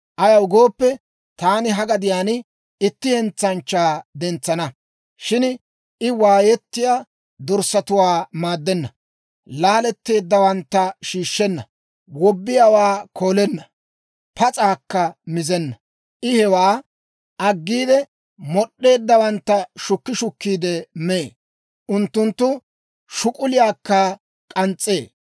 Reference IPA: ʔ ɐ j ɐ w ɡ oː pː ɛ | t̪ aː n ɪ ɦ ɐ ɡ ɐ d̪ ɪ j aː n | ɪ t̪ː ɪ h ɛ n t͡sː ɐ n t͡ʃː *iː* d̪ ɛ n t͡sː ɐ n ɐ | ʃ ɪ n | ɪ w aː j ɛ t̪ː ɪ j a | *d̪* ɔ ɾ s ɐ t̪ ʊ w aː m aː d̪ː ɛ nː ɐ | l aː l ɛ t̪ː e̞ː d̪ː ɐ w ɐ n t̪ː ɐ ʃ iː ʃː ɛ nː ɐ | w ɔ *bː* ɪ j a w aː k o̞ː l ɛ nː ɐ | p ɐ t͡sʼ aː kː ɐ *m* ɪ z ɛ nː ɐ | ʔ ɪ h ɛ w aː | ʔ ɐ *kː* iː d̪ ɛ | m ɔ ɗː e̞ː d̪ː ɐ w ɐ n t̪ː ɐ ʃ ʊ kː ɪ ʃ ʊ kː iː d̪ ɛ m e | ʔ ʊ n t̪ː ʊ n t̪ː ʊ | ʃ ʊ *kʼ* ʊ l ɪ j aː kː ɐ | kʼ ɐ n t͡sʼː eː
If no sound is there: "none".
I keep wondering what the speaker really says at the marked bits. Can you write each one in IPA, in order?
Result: aː, d̪, bː, m, ɡː, kʼ

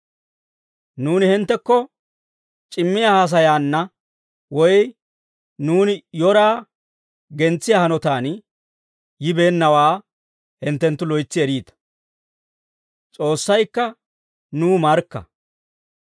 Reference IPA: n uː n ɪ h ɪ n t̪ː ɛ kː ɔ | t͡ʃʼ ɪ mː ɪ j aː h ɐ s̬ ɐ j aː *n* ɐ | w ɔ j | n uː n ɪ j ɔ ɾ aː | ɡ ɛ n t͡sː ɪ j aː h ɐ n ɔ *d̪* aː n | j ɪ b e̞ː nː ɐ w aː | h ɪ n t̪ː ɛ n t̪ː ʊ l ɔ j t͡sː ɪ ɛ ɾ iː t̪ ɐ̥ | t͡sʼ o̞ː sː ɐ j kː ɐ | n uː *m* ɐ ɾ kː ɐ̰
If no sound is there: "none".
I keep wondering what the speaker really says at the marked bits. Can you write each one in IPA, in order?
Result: nː, t̪, m

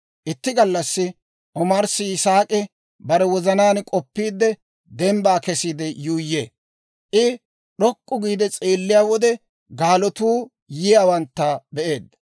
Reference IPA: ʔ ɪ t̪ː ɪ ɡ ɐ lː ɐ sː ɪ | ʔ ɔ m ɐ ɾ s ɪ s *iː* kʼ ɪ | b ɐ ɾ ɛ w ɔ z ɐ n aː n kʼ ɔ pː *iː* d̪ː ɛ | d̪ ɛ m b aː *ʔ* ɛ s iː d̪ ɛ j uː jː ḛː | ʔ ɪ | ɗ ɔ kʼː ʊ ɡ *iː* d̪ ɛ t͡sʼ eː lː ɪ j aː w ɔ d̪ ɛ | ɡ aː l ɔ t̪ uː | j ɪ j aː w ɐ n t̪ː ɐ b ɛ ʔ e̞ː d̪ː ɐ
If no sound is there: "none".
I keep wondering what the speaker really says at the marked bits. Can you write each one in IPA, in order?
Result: aː, iː, k, iː

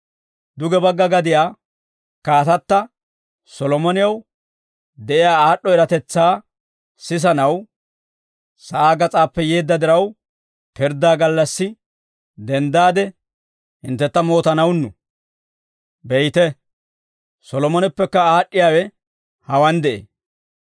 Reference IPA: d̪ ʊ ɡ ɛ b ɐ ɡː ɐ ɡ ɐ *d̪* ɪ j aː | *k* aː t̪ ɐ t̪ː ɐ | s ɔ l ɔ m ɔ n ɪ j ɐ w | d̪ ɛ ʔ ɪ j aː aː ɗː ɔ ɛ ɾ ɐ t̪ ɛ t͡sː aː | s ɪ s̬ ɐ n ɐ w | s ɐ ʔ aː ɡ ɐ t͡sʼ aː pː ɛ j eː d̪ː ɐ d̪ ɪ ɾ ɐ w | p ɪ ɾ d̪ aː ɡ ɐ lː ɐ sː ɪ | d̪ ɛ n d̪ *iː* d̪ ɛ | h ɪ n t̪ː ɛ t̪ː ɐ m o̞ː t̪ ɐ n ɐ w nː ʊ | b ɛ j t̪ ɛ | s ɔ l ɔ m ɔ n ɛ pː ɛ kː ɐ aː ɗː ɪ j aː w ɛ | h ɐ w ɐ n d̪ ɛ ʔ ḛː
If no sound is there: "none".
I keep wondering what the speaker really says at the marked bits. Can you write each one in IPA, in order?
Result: d̪, k, aː

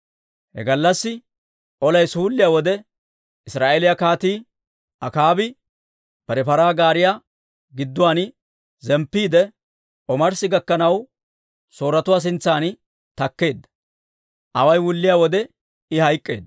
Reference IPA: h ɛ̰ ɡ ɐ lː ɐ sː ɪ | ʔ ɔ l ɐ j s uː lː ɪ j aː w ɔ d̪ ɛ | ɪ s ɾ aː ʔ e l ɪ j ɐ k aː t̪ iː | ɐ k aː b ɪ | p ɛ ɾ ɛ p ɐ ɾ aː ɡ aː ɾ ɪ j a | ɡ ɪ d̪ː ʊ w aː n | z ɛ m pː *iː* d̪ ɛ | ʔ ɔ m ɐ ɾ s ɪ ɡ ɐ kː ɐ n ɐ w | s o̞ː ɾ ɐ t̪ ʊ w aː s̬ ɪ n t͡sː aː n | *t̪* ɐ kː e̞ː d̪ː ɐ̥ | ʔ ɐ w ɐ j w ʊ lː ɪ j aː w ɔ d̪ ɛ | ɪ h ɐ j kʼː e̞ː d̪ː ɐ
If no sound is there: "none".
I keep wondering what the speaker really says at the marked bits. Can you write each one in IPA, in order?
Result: iː, t̪

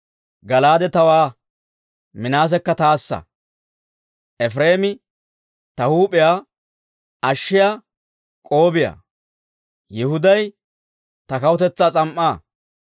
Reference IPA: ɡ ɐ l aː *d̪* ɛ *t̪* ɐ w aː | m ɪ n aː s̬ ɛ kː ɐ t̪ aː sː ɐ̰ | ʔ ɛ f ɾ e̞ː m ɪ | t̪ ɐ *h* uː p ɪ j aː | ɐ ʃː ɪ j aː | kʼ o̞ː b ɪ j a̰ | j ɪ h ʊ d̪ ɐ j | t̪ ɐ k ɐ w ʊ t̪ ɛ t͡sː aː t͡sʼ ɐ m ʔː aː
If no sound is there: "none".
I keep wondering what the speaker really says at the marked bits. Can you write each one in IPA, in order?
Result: d̪, t̪, h

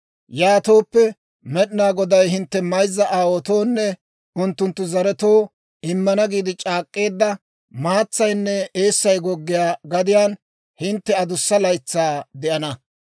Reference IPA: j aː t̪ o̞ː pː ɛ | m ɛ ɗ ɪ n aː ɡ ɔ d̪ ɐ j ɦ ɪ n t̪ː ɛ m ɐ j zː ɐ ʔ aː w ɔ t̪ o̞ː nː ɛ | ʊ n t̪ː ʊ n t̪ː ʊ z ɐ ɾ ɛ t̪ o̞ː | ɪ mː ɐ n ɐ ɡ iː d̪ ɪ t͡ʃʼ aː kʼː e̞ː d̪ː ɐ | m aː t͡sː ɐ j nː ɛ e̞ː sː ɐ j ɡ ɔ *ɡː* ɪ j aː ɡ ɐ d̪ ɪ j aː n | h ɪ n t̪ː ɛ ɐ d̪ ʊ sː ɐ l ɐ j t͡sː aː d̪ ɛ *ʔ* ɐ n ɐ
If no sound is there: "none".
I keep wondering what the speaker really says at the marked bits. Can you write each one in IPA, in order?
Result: ɡː, ʔ

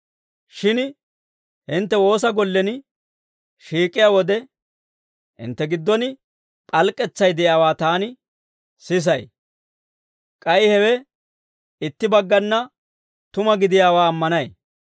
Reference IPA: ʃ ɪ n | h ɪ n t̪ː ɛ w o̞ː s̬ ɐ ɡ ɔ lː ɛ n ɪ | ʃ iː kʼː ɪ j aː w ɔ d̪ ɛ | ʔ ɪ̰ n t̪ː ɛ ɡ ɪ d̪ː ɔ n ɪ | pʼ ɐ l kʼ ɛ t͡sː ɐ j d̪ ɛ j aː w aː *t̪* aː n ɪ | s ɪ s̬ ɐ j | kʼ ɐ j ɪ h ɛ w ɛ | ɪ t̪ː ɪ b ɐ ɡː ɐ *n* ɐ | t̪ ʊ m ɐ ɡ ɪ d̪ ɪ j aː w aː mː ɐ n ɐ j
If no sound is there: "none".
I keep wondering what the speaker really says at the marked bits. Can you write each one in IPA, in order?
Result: t̪, nː

